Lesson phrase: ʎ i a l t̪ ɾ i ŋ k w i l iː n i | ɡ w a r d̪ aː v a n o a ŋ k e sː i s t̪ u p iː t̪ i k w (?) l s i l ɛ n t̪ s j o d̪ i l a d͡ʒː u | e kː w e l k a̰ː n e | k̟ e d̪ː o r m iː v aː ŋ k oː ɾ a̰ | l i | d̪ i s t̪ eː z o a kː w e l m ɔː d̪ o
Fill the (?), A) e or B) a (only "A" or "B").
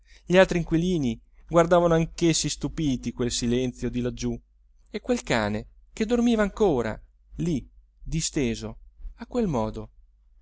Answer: A